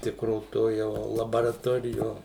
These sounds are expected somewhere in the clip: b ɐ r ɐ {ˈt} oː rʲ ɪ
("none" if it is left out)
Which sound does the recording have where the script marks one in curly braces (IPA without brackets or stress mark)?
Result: t